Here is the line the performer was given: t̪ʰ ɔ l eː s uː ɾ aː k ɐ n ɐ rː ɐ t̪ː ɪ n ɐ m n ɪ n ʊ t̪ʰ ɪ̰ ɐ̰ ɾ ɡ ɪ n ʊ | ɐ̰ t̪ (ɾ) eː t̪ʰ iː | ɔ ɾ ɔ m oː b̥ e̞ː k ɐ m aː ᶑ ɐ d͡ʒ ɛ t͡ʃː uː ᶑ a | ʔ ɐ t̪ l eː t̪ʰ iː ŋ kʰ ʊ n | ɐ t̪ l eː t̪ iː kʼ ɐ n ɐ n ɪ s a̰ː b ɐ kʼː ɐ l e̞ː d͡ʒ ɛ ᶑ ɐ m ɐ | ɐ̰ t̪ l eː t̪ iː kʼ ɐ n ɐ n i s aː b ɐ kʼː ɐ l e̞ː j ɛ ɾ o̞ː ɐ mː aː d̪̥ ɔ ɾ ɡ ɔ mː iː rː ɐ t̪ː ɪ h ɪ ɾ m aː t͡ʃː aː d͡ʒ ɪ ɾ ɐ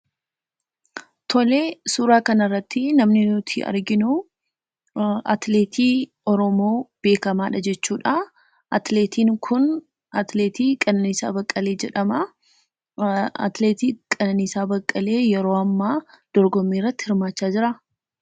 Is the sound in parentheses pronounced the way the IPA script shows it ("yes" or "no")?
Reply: no